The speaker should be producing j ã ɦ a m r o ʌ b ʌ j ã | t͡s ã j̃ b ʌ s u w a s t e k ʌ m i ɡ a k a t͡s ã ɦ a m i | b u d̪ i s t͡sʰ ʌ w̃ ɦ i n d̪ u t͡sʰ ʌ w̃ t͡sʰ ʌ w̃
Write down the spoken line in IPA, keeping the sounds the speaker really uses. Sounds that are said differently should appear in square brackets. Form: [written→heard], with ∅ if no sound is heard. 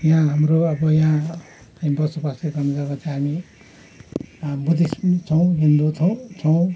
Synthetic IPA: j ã ɦ a m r o ʌ b ʌ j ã | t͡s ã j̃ b ʌ s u [w→b] a s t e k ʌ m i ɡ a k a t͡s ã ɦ a m i | b u d̪ i s t͡sʰ ʌ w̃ ɦ i n d̪ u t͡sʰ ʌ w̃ t͡sʰ ʌ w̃